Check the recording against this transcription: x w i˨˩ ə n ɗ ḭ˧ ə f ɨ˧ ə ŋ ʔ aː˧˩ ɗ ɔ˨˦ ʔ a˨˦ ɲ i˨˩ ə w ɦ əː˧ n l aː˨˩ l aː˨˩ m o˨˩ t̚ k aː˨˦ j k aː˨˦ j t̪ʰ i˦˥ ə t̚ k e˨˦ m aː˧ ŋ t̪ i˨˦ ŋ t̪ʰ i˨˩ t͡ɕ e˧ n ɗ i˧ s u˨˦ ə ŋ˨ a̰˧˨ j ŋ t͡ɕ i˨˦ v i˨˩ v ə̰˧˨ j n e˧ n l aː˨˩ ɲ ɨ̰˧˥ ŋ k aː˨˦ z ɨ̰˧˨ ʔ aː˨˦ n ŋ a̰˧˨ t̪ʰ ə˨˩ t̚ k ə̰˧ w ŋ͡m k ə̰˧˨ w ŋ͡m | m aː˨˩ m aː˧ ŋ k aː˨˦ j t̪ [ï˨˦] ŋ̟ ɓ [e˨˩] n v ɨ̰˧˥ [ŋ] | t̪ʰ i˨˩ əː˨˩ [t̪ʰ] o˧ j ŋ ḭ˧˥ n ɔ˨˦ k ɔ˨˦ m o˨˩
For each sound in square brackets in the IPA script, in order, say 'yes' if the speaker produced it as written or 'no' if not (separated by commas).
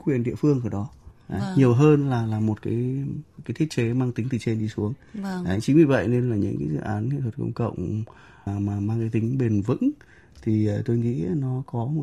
yes, yes, yes, no